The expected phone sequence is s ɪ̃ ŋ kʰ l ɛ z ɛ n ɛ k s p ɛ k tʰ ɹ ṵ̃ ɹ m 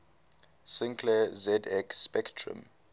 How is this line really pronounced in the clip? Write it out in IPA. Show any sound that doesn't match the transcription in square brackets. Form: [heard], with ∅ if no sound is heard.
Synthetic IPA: s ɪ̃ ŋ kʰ l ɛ z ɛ [d] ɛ k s p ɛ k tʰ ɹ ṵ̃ [∅] m